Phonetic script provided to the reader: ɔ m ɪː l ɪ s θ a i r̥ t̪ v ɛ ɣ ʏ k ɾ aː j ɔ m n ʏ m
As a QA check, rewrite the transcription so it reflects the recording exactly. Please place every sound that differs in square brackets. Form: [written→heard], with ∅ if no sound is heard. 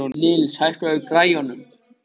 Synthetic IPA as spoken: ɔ [m→n] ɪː l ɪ s [θ→h] a [i→j] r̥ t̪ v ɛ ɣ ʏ k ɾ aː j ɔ [m→∅] n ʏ m